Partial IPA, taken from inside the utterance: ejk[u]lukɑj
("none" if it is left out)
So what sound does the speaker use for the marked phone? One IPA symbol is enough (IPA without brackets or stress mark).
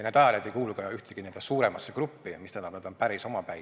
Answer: uː